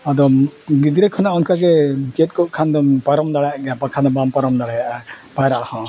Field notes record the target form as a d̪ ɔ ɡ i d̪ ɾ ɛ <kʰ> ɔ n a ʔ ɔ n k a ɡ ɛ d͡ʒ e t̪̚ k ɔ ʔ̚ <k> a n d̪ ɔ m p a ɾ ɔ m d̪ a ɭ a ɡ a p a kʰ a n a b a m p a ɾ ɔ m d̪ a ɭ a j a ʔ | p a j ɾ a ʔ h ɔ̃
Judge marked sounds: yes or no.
yes, no

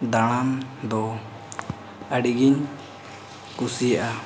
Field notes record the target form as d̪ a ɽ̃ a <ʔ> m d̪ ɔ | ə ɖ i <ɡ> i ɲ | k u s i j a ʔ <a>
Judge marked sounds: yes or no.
no, yes, yes

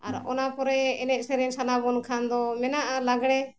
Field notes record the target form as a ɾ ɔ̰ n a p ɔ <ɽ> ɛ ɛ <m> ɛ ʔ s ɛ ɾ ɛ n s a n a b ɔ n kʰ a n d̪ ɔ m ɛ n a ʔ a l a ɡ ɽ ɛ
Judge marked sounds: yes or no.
no, no

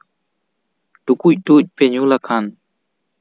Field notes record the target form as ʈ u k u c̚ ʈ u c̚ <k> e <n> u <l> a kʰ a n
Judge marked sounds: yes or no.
no, no, yes

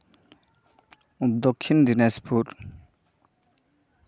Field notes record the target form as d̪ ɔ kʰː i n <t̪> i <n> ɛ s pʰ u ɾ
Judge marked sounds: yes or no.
no, yes

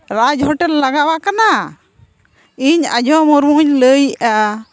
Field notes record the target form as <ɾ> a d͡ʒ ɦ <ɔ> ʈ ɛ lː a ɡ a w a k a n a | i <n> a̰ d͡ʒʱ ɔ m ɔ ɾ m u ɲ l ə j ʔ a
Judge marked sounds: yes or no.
yes, yes, no

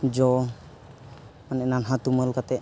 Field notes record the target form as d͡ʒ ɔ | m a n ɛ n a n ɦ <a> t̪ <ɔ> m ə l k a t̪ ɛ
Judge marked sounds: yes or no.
yes, no

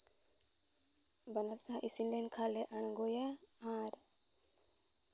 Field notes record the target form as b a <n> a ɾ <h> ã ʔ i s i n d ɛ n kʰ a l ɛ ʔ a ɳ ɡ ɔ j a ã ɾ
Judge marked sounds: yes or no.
yes, no

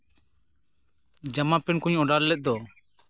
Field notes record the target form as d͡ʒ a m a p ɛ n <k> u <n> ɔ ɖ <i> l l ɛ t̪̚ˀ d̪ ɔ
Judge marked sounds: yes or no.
yes, no, no

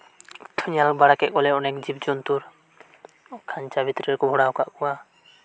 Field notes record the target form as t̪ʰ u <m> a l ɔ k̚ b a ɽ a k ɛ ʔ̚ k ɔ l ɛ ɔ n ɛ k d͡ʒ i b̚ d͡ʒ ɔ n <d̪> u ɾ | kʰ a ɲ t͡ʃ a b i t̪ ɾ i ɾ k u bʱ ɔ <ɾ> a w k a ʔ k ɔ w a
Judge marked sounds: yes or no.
no, no, no

